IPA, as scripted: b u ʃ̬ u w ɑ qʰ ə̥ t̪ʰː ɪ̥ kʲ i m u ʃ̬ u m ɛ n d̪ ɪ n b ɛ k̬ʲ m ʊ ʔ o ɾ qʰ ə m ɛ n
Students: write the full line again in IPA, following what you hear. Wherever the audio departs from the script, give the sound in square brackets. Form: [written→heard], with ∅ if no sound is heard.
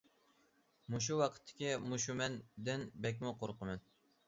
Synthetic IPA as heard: [b→m] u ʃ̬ u w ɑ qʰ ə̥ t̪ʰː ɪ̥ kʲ i m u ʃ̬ u m ɛ n d̪ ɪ n b ɛ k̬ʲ m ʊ [ʔ→q] o ɾ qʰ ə m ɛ n